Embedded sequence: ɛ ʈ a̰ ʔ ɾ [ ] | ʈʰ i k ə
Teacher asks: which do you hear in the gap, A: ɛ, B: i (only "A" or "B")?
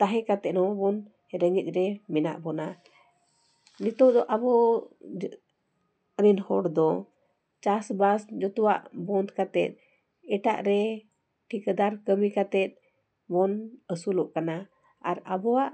A